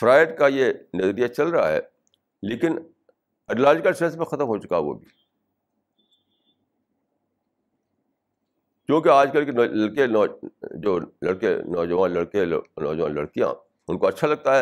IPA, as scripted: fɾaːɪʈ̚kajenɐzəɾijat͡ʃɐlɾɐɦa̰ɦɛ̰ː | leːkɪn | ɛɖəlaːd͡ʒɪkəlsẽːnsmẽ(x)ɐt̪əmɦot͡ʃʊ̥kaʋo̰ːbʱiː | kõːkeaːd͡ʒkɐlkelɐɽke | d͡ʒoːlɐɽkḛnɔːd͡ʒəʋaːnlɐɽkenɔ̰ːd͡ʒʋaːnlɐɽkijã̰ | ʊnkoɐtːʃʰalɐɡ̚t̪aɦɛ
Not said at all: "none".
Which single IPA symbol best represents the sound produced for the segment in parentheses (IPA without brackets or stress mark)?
x